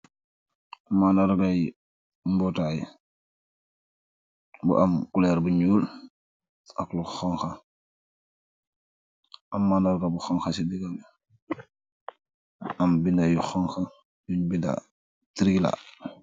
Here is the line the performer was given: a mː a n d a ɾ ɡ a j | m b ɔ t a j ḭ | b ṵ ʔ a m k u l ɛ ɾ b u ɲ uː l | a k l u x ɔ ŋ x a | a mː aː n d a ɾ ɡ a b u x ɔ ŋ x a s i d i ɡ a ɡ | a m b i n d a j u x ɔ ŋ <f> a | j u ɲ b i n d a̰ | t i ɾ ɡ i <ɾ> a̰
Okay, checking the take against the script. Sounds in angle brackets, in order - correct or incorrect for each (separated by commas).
incorrect, incorrect